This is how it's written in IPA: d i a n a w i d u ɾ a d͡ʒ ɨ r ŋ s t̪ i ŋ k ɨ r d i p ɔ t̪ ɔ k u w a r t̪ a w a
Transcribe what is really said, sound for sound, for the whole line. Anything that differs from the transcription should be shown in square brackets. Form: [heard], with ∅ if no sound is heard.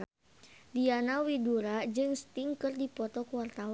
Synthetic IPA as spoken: d i a n a w i d u ɾ a d͡ʒ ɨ [∅] ŋ s t̪ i ŋ k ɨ r d i p ɔ t̪ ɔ k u w a r t̪ a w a